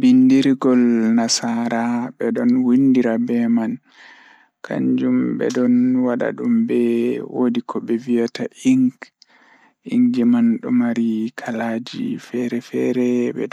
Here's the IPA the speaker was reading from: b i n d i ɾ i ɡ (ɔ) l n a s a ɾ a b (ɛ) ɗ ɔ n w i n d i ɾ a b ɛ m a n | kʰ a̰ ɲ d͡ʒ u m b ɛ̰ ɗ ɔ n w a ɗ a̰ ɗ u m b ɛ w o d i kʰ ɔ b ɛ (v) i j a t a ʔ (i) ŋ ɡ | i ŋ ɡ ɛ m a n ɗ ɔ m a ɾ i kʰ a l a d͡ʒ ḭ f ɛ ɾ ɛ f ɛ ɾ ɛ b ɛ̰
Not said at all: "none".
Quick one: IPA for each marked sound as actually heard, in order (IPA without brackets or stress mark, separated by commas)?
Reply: ɔ, ɛ, v, i